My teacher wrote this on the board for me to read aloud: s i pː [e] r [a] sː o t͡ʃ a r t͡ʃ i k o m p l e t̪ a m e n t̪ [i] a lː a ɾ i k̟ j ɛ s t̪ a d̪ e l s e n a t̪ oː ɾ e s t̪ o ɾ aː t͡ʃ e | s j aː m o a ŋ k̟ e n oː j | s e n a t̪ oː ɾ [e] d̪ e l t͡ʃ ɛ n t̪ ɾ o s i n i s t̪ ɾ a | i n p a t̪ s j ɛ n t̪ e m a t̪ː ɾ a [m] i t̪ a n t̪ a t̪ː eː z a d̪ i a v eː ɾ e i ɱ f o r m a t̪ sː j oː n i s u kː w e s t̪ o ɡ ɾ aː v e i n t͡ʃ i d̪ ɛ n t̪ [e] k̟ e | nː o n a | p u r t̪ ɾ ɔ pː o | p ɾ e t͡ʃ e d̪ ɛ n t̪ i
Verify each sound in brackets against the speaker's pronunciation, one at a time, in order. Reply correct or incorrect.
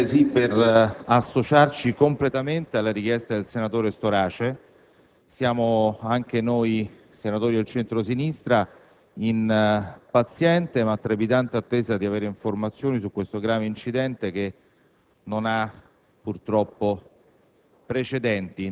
correct, correct, incorrect: e, incorrect: i, incorrect: b, correct

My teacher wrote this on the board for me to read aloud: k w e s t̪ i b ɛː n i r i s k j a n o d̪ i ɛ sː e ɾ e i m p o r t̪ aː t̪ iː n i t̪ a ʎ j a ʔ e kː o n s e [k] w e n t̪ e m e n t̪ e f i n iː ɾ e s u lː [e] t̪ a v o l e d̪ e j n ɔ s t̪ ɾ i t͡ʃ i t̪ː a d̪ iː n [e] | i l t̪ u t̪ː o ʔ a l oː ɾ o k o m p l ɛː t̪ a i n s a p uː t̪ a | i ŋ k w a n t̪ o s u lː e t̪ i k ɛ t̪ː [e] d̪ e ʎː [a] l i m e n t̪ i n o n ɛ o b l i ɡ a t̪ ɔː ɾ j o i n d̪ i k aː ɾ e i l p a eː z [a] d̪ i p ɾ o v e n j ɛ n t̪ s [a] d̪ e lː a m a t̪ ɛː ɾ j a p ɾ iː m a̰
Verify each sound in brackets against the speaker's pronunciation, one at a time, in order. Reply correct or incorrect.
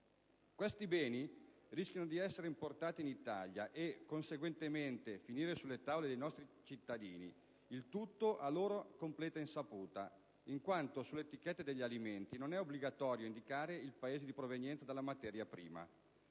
incorrect: ɡ, correct, incorrect: i, correct, correct, incorrect: e, correct

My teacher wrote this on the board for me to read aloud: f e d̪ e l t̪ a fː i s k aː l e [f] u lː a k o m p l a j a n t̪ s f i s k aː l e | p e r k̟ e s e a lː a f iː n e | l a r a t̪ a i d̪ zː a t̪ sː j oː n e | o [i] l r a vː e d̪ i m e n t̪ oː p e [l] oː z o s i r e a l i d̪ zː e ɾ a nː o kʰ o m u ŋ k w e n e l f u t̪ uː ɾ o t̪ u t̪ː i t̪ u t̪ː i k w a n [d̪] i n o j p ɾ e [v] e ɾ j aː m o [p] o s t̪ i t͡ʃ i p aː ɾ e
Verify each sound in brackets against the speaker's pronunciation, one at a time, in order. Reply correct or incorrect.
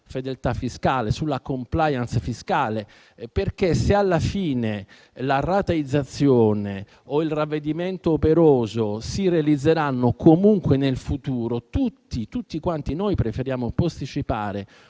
incorrect: s, correct, incorrect: ɾ, incorrect: t̪, incorrect: f, correct

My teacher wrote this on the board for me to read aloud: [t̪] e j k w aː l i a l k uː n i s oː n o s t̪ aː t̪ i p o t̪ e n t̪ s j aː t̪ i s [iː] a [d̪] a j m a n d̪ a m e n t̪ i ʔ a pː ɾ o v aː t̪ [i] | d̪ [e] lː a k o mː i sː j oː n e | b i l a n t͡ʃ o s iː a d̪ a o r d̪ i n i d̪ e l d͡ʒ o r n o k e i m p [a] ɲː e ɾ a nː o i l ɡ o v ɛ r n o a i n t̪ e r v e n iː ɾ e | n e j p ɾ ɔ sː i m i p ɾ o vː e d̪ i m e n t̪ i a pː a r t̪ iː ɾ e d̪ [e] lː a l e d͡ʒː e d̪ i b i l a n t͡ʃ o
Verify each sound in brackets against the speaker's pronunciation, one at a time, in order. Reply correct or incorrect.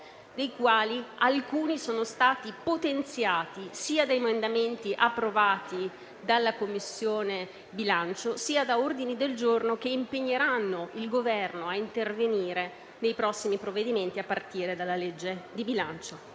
incorrect: d̪, correct, correct, correct, incorrect: a, incorrect: e, incorrect: a

